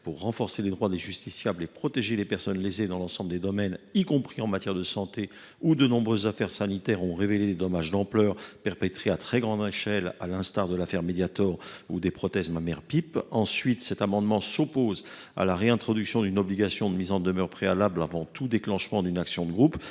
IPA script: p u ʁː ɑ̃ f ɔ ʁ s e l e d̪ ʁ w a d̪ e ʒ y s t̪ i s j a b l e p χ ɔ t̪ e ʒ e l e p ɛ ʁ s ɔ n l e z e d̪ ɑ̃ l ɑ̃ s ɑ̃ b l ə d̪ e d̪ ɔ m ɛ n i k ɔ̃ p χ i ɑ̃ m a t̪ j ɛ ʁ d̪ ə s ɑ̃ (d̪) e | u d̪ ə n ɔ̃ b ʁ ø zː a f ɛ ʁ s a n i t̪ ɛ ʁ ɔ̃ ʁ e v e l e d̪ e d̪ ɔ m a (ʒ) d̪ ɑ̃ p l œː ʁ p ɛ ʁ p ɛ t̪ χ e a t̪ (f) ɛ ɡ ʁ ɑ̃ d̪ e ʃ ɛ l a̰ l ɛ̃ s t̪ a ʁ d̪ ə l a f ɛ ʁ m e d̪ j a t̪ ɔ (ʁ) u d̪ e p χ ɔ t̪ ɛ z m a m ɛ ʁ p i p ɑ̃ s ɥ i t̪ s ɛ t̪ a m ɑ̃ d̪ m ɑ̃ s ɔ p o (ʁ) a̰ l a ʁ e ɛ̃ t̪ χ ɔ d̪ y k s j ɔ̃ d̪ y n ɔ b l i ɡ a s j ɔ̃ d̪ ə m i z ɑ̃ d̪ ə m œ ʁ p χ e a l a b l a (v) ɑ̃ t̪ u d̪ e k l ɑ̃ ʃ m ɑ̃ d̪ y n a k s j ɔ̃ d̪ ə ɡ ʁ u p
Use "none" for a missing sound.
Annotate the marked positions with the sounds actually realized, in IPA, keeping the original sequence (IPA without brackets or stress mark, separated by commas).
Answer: t̪, ʒ, χ, ʁ, z, v